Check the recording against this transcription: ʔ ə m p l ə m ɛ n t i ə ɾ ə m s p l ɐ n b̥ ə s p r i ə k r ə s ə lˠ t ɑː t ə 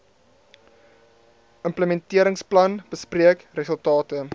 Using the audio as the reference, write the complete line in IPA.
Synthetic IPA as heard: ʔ ə m p l ə m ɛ n t i ə ɾ ə ŋ s p l ɐ n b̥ ə s p r i ə k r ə s ə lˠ t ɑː t ə